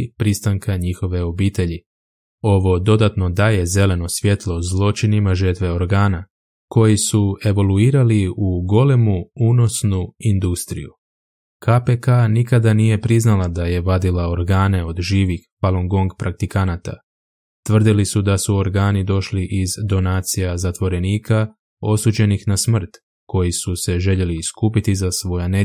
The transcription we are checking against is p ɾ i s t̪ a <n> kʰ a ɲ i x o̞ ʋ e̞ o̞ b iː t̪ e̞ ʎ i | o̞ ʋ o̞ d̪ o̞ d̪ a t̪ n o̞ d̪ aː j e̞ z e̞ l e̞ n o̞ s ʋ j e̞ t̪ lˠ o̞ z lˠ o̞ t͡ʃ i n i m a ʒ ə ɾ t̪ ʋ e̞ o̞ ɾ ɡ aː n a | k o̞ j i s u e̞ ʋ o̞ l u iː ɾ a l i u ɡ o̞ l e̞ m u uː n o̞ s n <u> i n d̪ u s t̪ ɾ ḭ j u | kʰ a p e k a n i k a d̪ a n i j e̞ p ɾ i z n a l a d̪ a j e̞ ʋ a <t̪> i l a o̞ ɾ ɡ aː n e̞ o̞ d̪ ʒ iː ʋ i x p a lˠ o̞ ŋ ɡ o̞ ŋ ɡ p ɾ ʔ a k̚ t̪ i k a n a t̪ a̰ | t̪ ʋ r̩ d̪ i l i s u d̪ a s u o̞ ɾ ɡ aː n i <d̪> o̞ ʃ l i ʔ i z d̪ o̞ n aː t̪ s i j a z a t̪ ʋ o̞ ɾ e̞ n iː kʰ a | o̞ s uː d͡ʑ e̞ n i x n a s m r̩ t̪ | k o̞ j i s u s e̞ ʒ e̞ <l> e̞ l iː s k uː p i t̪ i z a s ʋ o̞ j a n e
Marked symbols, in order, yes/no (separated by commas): no, yes, no, yes, no